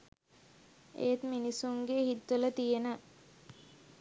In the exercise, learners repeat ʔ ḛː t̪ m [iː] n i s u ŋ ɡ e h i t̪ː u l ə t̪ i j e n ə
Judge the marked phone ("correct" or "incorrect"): incorrect